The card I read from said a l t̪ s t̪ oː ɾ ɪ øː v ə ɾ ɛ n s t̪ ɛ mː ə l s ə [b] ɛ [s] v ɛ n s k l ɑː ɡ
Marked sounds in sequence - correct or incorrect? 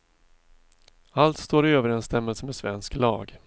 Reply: incorrect: m, correct

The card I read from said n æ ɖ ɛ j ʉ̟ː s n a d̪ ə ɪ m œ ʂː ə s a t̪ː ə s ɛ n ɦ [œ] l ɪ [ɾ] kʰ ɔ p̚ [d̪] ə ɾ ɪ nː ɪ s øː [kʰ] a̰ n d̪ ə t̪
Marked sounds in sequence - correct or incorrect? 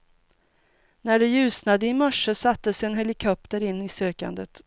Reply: incorrect: ɛ, incorrect: none, incorrect: t̪, incorrect: k

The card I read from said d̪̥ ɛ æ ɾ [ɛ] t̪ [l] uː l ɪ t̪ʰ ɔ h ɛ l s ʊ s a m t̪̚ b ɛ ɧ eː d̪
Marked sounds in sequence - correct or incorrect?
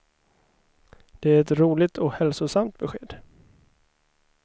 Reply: correct, incorrect: ɾ

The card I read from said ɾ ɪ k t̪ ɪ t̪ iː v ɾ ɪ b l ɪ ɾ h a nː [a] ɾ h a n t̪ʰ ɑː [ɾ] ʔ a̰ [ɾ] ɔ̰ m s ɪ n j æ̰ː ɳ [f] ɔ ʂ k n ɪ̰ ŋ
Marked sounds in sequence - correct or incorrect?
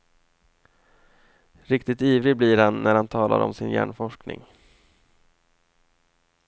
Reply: incorrect: æ, incorrect: l, correct, correct

